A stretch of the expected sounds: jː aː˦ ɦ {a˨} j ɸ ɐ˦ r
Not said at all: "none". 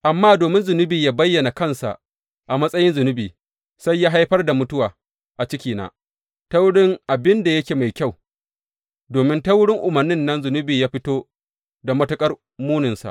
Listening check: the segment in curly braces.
a˦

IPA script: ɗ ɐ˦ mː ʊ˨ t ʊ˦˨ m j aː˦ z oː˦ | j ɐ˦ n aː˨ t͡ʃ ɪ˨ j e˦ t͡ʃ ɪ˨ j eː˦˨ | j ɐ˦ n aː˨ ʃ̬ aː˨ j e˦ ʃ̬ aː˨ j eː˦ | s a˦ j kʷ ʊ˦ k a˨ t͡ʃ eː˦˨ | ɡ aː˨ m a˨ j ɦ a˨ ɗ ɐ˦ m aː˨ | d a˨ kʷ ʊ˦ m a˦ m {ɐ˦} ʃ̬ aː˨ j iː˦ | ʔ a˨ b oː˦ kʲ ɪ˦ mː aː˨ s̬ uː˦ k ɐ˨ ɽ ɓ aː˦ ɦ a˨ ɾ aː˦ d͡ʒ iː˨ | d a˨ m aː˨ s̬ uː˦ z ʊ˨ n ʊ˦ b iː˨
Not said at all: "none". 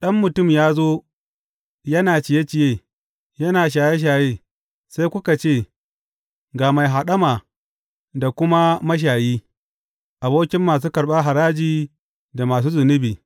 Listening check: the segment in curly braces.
ɐ˦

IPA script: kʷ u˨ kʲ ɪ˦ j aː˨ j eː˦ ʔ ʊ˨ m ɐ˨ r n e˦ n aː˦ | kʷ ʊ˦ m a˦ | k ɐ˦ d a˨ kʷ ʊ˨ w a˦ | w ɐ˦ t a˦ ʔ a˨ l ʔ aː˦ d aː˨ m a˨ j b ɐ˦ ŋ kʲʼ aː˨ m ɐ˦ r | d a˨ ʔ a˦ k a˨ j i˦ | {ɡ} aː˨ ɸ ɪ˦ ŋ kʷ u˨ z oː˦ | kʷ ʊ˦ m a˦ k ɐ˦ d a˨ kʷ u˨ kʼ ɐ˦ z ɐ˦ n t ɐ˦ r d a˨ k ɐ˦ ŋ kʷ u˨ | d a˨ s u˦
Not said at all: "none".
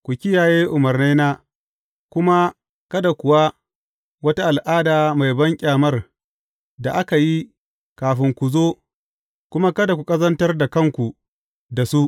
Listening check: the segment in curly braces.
k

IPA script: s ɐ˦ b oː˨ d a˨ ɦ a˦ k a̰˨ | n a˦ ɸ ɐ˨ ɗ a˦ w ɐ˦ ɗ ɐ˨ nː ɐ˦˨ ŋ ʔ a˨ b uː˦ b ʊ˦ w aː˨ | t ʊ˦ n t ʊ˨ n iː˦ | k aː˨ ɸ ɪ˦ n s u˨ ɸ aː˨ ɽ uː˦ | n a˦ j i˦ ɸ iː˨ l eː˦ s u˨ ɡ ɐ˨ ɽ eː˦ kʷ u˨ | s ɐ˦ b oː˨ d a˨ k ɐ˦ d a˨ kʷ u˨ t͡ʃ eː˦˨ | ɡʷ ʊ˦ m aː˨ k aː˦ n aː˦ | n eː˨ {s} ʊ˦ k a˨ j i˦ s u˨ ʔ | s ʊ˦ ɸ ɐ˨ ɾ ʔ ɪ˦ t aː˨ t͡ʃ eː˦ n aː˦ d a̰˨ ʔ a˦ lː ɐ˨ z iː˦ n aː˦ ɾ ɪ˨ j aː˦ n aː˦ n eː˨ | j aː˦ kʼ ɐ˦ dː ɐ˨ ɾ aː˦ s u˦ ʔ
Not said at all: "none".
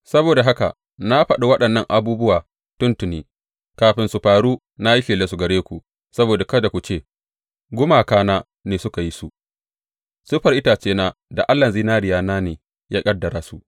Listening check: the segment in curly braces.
s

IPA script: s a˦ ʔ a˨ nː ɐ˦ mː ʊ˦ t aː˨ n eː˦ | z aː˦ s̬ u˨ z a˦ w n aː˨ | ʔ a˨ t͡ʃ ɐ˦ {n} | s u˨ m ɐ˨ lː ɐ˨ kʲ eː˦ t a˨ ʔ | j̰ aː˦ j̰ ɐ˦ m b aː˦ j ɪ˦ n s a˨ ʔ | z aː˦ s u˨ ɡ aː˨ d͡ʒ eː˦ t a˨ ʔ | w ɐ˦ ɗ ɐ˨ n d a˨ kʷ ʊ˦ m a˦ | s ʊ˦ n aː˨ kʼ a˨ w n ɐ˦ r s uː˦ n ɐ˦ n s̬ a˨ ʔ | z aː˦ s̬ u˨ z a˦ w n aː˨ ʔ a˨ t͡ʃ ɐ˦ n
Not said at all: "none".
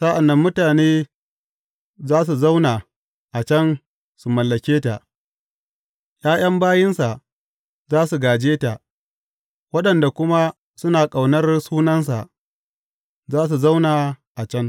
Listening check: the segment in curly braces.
n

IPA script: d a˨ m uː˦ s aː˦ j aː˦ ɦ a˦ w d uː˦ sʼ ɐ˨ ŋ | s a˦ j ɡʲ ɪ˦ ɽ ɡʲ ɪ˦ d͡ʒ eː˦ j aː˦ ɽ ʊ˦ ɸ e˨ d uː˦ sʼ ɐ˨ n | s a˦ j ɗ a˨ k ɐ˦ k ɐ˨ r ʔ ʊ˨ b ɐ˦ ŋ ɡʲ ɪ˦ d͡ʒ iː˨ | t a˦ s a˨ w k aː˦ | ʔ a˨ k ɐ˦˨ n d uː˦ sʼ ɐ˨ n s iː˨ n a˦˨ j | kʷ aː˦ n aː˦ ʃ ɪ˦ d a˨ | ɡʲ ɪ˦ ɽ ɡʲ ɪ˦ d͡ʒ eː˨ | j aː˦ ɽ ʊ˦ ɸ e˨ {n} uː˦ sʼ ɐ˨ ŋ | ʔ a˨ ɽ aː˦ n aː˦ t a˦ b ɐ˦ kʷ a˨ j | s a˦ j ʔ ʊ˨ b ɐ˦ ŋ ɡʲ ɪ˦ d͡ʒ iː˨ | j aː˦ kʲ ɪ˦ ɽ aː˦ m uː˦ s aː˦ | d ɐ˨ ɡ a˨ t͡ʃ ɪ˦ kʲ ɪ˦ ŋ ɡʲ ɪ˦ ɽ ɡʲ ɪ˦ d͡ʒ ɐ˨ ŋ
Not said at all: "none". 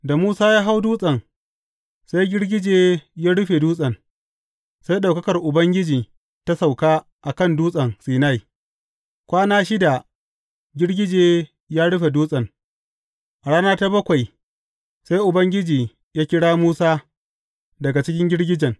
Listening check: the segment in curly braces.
d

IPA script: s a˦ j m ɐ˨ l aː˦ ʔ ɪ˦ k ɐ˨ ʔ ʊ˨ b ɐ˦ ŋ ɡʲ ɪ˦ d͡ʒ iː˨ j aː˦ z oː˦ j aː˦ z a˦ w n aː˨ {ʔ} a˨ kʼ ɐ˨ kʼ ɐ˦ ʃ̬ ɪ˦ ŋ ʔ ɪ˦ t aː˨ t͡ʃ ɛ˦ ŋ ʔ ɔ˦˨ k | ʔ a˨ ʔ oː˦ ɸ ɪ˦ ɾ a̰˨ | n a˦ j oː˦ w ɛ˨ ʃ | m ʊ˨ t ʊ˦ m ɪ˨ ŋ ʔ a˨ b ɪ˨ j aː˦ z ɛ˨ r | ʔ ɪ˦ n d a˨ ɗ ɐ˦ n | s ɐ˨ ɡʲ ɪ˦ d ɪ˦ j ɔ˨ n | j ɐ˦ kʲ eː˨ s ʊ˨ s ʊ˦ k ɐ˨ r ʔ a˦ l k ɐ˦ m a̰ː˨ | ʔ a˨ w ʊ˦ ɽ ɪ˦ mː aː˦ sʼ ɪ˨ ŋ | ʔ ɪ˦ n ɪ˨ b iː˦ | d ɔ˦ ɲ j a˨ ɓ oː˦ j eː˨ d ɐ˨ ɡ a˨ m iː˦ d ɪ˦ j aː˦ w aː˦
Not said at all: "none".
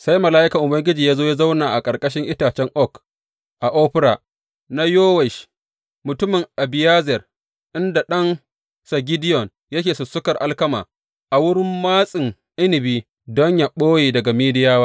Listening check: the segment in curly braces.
ʔ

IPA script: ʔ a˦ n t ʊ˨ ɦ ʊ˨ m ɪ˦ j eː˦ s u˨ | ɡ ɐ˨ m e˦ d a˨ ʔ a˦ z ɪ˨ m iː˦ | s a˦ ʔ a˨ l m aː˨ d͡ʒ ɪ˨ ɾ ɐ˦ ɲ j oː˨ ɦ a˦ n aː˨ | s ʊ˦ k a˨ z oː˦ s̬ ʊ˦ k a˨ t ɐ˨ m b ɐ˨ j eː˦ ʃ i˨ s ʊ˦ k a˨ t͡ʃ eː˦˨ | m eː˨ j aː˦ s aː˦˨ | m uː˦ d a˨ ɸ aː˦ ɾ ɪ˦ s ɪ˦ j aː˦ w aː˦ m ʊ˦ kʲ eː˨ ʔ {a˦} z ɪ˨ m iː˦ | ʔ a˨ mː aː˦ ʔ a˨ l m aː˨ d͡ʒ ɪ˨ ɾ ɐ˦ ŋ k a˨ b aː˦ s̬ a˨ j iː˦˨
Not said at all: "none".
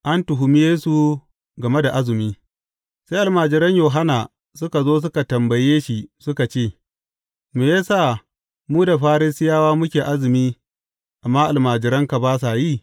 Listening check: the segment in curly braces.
a˦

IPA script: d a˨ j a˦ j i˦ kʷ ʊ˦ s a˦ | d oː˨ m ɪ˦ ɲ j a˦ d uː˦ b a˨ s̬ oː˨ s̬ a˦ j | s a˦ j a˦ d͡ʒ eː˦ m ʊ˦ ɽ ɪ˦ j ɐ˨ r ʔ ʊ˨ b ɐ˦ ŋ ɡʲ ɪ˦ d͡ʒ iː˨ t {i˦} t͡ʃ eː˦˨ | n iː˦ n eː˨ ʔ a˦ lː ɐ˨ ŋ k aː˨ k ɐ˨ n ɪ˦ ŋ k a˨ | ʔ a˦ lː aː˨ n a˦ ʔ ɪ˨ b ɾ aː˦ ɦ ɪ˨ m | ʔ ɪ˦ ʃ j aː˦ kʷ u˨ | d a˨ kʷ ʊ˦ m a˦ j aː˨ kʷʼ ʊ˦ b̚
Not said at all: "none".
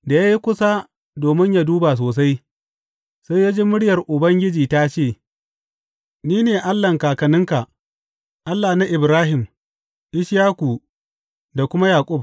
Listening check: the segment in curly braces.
a˦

